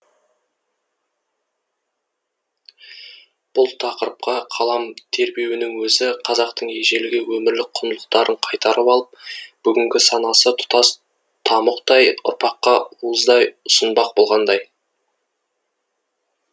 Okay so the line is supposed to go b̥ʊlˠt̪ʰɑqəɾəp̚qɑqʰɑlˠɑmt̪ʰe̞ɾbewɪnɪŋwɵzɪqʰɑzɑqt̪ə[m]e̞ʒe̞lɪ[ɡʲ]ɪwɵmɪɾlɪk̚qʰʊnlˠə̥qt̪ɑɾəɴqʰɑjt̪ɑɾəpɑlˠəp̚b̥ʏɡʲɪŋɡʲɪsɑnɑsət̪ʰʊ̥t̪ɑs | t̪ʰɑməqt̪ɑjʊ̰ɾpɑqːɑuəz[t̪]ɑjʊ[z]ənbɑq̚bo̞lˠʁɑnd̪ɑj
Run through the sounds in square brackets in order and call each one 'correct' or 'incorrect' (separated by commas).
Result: incorrect, correct, incorrect, incorrect